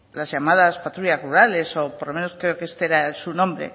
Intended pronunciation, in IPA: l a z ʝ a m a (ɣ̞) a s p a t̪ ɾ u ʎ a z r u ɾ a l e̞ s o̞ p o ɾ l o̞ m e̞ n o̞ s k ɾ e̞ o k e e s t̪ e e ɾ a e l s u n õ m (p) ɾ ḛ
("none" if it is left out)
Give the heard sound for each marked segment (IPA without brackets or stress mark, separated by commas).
ð̞, b